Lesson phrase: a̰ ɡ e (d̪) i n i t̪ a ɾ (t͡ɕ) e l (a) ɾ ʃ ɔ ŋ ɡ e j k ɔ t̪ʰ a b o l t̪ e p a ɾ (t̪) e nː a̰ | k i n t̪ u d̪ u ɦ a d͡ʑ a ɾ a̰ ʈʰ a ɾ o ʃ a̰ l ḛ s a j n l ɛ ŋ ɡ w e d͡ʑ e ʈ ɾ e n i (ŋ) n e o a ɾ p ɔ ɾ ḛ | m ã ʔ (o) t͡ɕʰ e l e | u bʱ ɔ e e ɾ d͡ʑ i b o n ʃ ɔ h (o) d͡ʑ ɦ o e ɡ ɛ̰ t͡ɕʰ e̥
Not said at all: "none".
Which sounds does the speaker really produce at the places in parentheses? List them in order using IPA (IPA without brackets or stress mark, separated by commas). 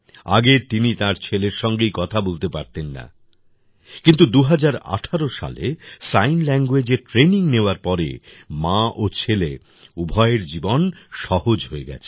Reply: t̪, t͡ɕʰ, e, t̪, ŋ, o, o